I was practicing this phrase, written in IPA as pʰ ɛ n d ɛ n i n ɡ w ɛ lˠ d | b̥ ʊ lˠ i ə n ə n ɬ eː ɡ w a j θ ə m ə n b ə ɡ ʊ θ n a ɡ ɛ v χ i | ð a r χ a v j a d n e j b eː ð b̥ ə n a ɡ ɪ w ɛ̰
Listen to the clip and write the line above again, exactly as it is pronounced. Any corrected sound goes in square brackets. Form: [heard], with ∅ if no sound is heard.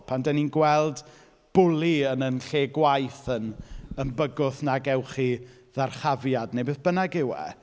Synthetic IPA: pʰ [a] n d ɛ n i n ɡ w ɛ lˠ d | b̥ ʊ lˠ i ə n ə n ɬ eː ɡ w a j θ ə [n] ə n b ə ɡ ʊ θ n a ɡ ɛ [w] χ i | ð a r χ a v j a d n e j b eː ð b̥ ə n a ɡ ɪ w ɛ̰